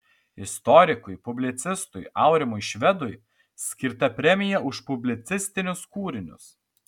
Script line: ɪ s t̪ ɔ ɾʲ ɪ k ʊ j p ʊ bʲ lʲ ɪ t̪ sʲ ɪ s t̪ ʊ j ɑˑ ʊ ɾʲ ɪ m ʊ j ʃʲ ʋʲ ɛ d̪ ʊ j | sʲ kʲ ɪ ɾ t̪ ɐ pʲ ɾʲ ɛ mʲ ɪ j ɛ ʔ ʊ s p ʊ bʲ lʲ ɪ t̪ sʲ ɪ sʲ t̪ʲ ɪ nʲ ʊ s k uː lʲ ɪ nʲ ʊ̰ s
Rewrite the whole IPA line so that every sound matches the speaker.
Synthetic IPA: ɪ s t̪ ɔ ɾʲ ɪ k ʊ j p ʊ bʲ lʲ ɪ t̪ sʲ ɪ s t̪ ʊ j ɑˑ ʊ ɾʲ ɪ m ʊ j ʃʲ ʋʲ ɛ d̪ ʊ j | sʲ kʲ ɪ ɾ t̪ ɐ pʲ ɾʲ ɛ mʲ ɪ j ɛ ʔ ʊ ʃ p ʊ bʲ lʲ ɪ t̪ sʲ ɪ sʲ t̪ʲ ɪ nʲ ʊ s k uː ɾʲ ɪ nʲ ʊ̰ s